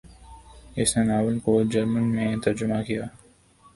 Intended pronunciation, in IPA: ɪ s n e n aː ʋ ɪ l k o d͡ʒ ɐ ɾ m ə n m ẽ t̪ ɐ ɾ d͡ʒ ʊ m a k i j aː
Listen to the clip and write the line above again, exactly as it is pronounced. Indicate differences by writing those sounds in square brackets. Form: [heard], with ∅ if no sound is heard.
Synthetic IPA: ɪ s n e n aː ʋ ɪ l k o d͡ʒ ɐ ɾ m ə n m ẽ t̪ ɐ ɾ d͡ʒ ʊ m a k i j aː